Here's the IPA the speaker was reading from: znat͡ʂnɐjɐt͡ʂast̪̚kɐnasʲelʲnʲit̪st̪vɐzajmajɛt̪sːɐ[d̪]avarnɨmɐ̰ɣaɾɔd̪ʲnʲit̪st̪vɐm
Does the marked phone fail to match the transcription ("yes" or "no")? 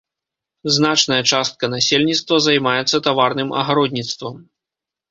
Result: yes